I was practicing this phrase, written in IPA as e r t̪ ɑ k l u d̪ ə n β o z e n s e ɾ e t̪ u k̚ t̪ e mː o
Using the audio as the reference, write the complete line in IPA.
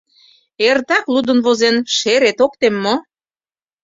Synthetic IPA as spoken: e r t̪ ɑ k l u d̪ ə n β o z e n ʃ e ɾ e t̪ o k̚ t̪ e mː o

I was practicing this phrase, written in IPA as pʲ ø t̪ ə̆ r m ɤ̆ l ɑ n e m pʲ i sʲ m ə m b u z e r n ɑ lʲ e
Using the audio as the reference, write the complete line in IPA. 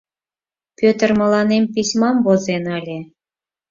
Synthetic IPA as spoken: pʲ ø t̪ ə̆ r m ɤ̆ l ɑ n e m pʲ i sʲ m ɑ m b o z e n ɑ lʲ e

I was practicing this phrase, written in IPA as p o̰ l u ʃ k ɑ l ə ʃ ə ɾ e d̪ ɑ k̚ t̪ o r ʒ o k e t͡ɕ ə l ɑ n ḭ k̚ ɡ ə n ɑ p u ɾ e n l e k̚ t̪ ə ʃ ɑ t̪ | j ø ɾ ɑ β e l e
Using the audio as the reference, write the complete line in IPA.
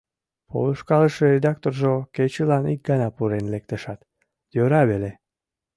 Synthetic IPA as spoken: p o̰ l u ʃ k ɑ l ə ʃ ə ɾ e d̪ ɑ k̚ t̪ o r ʒ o k e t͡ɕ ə l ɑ n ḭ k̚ ɡ ɑ n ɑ p u ɾ e n l e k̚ t̪ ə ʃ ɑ t̪ | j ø ɾ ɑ β e l e

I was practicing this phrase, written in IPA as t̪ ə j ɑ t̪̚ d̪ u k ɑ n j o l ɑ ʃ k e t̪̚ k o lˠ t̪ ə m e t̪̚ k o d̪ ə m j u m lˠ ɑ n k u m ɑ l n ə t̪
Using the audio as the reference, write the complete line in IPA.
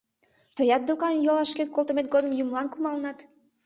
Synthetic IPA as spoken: t̪ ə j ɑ t̪̚ d̪ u k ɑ n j o l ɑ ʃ k e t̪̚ k o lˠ t̪ ə m e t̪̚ ɡ o d̪ ə m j u m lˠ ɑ n k u m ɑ l n ɑ t̪

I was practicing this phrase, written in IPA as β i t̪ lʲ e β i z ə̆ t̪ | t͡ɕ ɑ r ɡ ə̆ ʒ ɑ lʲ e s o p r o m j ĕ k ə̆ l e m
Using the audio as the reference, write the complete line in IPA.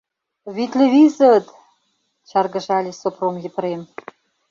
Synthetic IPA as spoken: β i t̪ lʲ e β i z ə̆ t̪ | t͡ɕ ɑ r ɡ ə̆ ʒ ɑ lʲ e s o p r o m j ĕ p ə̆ ɾ e m

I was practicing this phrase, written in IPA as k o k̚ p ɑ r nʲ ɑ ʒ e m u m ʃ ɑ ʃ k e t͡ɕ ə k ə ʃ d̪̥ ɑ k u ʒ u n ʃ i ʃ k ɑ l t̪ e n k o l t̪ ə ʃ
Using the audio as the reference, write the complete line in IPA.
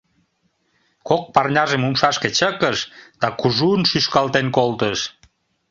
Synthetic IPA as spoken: k o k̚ p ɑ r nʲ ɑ ʒ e m u m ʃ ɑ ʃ k e t͡ɕ ə k ə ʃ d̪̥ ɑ k u ʒ u n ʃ y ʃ k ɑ l t̪ e n k o l t̪ ə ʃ

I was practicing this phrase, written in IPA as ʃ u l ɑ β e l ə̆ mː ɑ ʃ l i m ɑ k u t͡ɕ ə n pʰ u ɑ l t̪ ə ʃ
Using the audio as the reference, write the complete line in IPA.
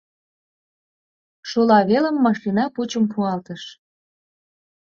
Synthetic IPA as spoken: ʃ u l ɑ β e l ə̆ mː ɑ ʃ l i n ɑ p u t͡ɕ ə m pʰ u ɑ l t̪ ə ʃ

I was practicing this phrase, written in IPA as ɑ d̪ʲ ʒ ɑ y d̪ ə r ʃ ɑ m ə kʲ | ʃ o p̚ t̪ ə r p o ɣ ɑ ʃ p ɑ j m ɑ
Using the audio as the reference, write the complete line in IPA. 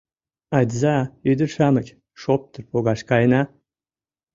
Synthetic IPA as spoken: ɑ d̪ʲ z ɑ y d̪ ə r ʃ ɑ m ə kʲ | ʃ o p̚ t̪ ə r p o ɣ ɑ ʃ k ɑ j n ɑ

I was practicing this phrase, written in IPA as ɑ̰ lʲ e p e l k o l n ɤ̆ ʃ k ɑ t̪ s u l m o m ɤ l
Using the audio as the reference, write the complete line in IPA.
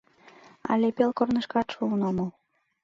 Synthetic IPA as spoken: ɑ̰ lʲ e p e l k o r n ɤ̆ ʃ k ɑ t̪ ʃ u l n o m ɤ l

